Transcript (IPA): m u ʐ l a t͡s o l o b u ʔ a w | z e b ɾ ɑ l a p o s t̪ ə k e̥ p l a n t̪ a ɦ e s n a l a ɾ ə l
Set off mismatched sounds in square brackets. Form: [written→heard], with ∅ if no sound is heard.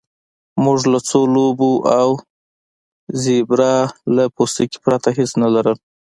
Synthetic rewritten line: m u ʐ l a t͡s o l o b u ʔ a w | z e b ɾ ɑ l a p o s t̪ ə k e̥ p [l→ɾ] a [n→∅] t̪ a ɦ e s n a l a ɾ ə l